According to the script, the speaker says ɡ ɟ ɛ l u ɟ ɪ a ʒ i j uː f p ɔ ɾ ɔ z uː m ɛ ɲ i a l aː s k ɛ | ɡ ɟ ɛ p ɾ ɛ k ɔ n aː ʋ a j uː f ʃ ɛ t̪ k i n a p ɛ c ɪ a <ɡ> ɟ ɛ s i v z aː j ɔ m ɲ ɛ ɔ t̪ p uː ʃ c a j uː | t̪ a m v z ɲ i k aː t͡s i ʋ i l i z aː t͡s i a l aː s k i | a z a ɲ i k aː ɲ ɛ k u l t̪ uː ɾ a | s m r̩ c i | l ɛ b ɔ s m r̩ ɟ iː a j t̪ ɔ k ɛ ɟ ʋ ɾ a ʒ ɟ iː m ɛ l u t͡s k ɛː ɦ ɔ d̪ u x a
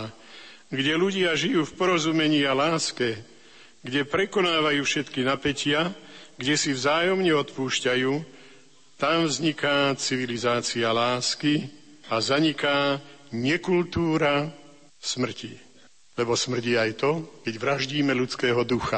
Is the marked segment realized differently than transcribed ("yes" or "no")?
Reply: no